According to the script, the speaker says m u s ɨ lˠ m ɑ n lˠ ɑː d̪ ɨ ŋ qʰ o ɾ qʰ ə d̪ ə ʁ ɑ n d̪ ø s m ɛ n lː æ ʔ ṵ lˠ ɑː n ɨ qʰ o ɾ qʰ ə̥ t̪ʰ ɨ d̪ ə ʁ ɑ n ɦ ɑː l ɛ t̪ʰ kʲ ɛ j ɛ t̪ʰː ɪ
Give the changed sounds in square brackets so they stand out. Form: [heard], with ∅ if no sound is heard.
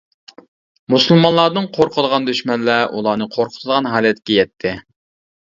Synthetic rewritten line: m u s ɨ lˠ m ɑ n lˠ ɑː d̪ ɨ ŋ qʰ o ɾ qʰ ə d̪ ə ʁ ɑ n d̪ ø [ʃ] m ɛ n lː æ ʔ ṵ lˠ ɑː n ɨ qʰ o ɾ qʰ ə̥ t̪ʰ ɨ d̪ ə ʁ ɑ n ɦ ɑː l ɛ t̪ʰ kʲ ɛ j ɛ t̪ʰː ɪ